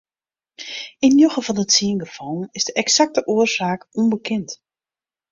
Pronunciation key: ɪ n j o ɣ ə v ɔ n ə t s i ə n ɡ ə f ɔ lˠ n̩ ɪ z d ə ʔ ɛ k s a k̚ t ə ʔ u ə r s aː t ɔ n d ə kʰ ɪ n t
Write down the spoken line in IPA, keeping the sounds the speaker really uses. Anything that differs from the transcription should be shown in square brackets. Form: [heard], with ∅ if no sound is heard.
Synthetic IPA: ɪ n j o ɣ ə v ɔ n ə t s i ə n ɡ ə f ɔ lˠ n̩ ɪ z d ə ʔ ɛ k s a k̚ t ə ʔ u ə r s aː [k] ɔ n [b] ə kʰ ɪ n t